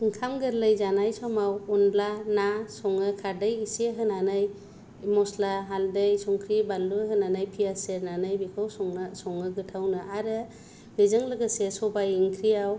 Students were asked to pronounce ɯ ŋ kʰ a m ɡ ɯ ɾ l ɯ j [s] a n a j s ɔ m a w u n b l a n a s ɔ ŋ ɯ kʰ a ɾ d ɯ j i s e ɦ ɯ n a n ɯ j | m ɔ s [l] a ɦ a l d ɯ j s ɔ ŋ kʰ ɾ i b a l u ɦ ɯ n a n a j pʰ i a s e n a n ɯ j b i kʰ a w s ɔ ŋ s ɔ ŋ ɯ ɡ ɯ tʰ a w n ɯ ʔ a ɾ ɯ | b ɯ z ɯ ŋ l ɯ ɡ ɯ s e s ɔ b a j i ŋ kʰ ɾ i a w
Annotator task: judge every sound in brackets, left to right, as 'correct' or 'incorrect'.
incorrect, correct

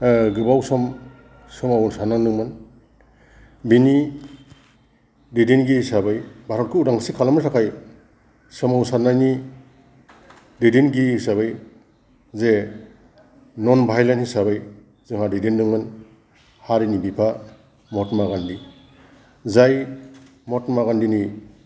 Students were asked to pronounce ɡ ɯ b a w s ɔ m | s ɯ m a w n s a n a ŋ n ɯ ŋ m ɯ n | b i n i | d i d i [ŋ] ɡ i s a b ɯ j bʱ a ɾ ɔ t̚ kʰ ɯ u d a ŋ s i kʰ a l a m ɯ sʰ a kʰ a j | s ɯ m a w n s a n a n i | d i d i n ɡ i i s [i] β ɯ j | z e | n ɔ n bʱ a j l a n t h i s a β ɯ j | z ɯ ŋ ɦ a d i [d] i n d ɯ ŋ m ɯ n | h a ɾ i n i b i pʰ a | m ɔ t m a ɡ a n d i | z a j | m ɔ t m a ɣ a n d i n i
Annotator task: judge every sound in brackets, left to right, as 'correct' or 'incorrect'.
incorrect, incorrect, correct

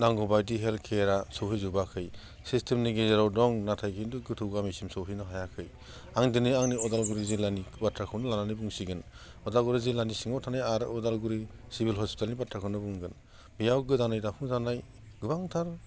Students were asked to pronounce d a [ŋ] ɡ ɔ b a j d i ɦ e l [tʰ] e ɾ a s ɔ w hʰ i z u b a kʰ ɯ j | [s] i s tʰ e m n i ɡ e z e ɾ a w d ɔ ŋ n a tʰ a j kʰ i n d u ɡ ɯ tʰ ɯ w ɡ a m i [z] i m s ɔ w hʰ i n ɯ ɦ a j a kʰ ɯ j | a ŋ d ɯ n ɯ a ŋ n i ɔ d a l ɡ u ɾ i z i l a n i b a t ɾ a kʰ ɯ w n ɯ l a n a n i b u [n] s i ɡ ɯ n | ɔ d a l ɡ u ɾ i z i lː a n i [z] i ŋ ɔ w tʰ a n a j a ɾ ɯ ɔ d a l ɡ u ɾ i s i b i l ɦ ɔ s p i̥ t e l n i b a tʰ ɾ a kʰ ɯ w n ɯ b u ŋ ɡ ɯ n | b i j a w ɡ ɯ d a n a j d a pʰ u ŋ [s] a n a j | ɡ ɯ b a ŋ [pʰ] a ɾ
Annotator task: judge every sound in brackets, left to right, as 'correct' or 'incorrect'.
correct, incorrect, correct, incorrect, incorrect, incorrect, incorrect, incorrect

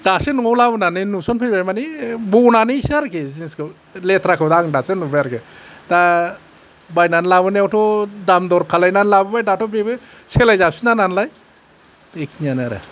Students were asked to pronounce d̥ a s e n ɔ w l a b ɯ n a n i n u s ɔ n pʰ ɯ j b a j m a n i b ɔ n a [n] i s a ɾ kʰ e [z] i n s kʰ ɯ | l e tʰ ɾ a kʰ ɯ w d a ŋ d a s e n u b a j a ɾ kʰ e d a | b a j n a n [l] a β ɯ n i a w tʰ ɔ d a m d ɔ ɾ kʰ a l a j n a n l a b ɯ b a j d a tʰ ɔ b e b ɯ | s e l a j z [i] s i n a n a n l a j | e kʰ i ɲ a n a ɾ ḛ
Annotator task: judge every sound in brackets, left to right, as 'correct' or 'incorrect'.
correct, correct, correct, incorrect

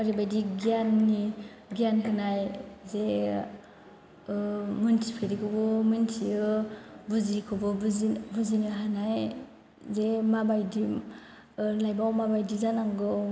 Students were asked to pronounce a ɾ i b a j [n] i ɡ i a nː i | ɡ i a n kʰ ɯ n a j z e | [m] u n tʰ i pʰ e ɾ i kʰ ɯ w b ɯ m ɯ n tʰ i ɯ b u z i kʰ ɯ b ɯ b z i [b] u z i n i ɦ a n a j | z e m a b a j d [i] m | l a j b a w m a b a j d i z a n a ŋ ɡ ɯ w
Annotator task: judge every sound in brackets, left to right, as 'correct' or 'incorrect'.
incorrect, correct, correct, correct

